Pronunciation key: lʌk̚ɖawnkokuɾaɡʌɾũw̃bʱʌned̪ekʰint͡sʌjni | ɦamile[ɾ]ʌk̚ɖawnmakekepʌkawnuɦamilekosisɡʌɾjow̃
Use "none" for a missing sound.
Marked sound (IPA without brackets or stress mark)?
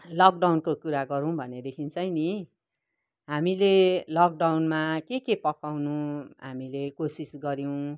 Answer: l